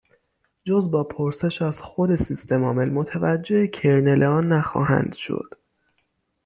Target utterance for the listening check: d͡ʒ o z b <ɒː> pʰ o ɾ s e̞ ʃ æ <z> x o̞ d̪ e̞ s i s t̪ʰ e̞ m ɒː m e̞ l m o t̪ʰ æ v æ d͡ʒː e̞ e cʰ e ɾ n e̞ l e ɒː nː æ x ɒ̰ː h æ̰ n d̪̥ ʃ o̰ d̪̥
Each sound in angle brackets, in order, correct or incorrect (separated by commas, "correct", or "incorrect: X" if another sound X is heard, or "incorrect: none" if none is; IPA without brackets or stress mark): correct, correct